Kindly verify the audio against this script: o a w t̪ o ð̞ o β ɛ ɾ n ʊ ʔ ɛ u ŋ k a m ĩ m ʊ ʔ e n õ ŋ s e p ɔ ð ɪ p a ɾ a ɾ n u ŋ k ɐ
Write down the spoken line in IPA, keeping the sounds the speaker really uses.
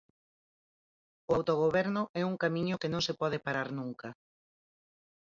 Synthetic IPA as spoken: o a w t̪ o ɣ̞ o β ɛ ɾ n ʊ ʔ ɛ u ŋ k a m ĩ ɲ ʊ k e n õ ŋ s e p ɔ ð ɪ p a ɾ a ɾ n u ŋ k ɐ